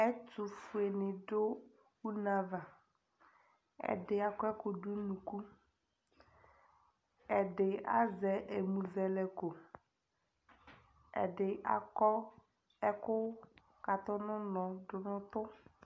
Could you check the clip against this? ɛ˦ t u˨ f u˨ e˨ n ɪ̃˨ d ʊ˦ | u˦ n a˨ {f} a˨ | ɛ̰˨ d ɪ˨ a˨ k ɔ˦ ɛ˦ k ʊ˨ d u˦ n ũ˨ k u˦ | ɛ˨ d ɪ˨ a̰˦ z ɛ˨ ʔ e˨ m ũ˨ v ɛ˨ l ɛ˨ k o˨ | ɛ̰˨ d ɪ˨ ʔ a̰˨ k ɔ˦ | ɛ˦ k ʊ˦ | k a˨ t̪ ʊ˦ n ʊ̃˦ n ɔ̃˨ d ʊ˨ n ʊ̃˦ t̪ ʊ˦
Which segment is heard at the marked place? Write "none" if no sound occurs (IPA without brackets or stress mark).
v